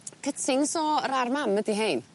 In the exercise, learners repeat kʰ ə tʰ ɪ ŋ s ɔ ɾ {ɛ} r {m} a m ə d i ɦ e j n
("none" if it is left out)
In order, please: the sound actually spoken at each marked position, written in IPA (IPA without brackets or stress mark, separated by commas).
a, m